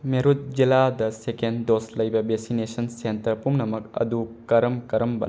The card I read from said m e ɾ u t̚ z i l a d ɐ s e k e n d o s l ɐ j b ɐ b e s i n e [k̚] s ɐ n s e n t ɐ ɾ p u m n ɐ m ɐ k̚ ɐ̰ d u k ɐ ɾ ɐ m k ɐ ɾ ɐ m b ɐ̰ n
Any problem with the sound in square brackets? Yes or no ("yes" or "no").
yes